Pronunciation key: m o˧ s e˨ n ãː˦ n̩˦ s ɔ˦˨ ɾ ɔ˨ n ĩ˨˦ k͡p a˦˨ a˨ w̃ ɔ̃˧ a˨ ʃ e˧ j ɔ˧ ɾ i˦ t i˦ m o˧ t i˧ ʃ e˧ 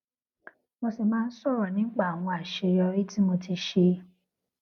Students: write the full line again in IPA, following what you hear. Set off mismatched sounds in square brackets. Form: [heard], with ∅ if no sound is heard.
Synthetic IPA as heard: m o˧ s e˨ [m] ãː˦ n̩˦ s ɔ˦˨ ɾ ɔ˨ n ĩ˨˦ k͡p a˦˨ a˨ w̃ ɔ̃˧ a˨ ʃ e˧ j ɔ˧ ɾ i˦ t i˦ m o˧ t i˧ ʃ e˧